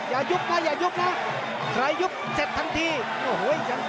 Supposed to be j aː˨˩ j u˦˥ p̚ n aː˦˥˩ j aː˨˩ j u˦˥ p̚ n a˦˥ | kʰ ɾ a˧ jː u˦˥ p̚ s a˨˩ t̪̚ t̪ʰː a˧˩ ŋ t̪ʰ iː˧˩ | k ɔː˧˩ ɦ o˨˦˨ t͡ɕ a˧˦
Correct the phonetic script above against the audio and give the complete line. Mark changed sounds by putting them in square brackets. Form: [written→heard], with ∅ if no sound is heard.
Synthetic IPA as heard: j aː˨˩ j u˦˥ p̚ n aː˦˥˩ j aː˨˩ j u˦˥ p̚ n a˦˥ | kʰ ɾ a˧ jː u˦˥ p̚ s [a˨˩→e˨˩] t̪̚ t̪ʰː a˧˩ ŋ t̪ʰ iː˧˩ | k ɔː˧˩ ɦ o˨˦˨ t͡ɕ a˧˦